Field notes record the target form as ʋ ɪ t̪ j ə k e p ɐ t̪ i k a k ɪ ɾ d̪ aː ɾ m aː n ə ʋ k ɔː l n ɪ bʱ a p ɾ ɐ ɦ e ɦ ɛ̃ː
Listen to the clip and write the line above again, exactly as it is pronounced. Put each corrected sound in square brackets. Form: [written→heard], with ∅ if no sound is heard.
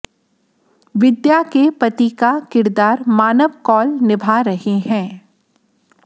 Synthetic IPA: ʋ ɪ [t̪→d̪] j [ə→a] k e p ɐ t̪ i k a k ɪ ɾ d̪ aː ɾ m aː n ə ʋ k ɔː l n ɪ bʱ a [p→∅] ɾ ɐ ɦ e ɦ ɛ̃ː